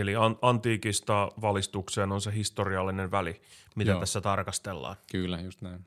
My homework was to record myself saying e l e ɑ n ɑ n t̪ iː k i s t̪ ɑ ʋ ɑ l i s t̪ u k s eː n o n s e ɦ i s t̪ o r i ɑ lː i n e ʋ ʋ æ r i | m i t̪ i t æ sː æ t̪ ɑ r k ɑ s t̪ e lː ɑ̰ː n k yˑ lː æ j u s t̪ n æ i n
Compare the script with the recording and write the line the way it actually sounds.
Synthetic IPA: e l i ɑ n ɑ n t̪ iː k i s t̪ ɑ ʋ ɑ l i s t̪ u k s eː n o n s e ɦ i s t̪ o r i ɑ lː i n e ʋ ʋ æ l i | m i t̪ æ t æ sː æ t̪ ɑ r k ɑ s t̪ e lː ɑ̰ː n k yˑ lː æ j u s t̪ n æ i n